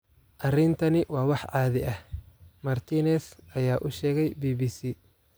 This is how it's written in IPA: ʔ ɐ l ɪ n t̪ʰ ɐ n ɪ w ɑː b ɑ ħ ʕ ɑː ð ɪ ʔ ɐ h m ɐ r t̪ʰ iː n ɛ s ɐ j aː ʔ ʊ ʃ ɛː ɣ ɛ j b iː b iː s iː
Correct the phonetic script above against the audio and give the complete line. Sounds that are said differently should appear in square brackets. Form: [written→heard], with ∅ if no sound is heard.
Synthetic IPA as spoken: ʔ ɐ [l→r] ɪ n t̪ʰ ɐ n ɪ w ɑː [b→w] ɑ ħ ʕ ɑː ð ɪ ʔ ɐ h m ɐ r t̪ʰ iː n ɛ s ɐ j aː ʔ ʊ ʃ ɛː ɣ ɛ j b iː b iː s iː